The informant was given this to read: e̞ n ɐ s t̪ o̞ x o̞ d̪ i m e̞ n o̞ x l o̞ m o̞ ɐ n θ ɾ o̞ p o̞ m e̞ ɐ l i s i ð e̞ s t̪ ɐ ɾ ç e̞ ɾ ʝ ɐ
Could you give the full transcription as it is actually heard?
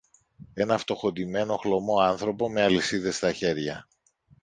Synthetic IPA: e̞ n ɐ f t̪ o̞ x o̞ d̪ i m e̞ n o̞ x l o̞ m o̞ ɐ n θ ɾ o̞ p o̞ m e̞ ɐ l i s i ð e̞ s t̪ ɐ ç e̞ ɾ ʝ ɐ